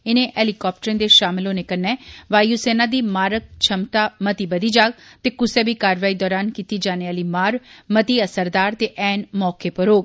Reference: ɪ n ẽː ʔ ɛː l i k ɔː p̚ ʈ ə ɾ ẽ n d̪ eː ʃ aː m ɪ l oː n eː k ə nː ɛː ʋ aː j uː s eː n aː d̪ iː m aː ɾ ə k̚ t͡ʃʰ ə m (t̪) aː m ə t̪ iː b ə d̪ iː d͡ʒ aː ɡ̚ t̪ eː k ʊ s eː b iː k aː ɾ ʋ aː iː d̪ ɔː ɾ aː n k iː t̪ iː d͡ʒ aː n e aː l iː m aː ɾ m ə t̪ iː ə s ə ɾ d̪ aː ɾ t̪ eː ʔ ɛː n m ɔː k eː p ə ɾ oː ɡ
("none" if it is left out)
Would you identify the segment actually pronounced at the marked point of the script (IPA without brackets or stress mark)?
t̪